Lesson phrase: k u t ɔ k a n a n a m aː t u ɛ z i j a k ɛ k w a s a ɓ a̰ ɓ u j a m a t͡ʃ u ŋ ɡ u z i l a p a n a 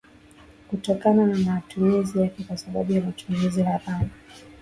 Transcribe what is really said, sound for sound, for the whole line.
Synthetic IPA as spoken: k u t ɔ k a n a n a m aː t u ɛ z i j a k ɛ k w a s a ɓ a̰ ɓ u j a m a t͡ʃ u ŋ ɡ u z i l a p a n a

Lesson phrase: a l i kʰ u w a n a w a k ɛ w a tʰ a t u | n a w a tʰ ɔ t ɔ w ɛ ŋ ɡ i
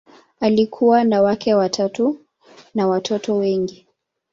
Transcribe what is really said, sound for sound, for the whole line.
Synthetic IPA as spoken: a l i kʰ u w a n a w a k ɛ w a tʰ a t u | n a w a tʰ ɔ t ɔ w ɛ ŋ ɡ i

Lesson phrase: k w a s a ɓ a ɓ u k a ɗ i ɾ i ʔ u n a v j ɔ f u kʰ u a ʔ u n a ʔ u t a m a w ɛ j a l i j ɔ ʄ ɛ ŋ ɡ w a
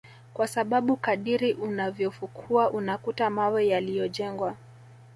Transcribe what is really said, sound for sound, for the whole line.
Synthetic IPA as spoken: k w a s a ɓ a ɓ u k a ɗ i ɾ i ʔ u n a v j ɔ f u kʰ u a ʔ u n a k u t a m a w ɛ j a l i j ɔ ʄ ɛ ŋ ɡ w a

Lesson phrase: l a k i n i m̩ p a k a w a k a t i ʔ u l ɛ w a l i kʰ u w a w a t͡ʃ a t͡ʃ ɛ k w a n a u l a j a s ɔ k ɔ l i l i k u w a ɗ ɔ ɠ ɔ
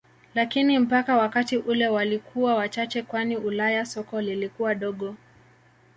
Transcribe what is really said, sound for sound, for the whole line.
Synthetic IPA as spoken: l a k i n i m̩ p a k a w a k a t i ʔ u l ɛ w a l i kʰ u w a w a t͡ʃ a t͡ʃ ɛ k w a n i u l a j a s ɔ k ɔ l i l i k u w a ɗ ɔ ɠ ɔ

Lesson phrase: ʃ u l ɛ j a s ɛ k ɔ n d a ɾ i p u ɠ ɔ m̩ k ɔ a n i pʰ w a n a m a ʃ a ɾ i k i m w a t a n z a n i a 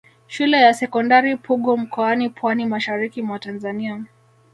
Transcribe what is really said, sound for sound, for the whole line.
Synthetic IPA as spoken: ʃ u l ɛ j a s ɛ k ɔ n d a ɾ i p u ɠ ɔ m̩ k ɔ a n i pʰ w a n i m a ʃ a ɾ i k i m w a t a n z a n i a

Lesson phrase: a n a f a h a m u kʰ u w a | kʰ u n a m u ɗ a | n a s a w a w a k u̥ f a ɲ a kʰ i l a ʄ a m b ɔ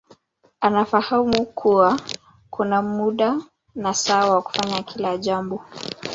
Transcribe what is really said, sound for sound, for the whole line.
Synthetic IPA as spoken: a n a f a h a m u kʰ u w a | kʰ u n a m u ɗ a | n a s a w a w a k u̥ f a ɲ a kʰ i l a ʄ a m b ɔ

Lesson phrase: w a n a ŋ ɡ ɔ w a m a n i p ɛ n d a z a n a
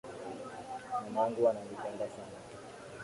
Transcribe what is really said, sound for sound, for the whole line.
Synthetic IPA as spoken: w a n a ŋ ɡ u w a n a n i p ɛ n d a s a n a

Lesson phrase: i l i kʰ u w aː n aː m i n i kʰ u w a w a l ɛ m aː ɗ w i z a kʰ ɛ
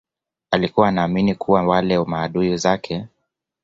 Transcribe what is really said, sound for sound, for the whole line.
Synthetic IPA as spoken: a l i k u w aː n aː m i n i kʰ u w a w a l ɛ m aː ɗ u i z a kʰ ɛ

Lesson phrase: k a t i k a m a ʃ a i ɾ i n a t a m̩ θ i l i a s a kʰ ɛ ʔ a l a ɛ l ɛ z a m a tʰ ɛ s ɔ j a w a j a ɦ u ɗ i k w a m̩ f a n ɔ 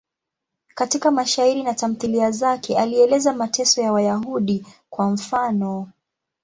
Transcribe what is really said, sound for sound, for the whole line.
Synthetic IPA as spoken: k a t i k a m a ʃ a i ɾ i n a t a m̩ θ i l i a z a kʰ ɛ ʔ a l i ɛ l ɛ z a m a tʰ ɛ s ɔ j a w a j a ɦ u ɗ i k w a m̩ f a n ɔ

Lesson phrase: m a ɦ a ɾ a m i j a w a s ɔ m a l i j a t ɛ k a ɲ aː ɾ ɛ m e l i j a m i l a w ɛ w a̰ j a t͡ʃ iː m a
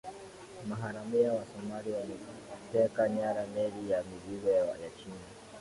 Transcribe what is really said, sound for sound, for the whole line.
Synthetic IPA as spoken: m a ɦ a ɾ a m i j a w a s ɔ m a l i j a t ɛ k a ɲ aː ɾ a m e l i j a m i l i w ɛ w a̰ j a t͡ʃ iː n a

